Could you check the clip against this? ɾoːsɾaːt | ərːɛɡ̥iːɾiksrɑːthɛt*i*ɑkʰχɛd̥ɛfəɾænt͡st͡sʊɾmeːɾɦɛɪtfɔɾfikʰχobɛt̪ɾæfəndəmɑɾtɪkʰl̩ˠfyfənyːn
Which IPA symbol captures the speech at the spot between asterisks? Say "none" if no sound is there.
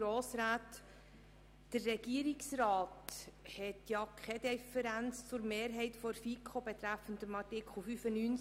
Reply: j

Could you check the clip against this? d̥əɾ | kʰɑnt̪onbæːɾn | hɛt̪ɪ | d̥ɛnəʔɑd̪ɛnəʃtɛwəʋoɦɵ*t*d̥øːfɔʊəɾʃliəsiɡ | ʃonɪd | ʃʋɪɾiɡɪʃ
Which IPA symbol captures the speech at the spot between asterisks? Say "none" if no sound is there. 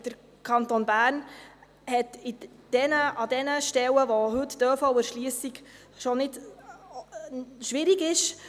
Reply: t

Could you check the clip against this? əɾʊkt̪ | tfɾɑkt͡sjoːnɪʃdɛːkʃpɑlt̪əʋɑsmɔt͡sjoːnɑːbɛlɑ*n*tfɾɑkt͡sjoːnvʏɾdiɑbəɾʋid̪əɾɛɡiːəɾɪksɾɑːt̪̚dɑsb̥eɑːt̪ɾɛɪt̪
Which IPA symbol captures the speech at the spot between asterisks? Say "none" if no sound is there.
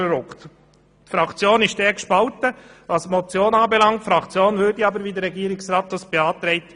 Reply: ŋ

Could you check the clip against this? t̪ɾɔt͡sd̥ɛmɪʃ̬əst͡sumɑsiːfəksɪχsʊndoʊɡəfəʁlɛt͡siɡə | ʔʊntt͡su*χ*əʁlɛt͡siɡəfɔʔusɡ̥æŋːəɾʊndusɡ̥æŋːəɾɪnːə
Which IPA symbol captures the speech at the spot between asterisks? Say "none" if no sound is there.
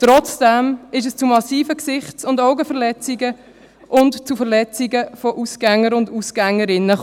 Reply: f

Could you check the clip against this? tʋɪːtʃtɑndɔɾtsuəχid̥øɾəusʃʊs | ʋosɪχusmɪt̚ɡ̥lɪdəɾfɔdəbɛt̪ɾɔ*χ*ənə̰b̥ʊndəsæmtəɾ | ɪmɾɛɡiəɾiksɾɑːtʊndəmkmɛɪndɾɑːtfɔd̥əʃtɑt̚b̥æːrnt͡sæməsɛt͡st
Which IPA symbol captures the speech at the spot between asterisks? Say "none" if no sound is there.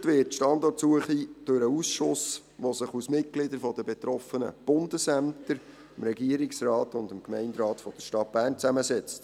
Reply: f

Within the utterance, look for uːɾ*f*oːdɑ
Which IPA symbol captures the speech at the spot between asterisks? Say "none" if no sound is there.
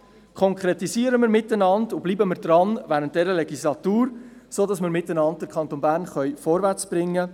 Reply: s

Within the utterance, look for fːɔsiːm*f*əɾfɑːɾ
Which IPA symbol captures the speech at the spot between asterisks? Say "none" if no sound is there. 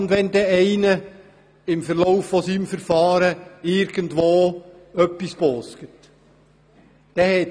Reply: f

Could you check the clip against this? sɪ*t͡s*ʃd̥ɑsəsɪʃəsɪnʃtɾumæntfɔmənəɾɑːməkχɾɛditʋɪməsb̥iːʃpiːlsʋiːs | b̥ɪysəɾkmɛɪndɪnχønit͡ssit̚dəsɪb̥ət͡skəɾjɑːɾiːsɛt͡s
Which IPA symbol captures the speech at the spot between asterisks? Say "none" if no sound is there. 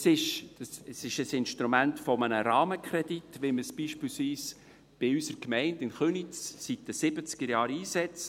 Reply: none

